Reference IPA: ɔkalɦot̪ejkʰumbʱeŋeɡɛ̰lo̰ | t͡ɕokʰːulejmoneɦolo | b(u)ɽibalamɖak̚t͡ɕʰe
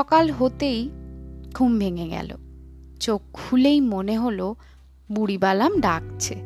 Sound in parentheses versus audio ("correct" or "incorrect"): correct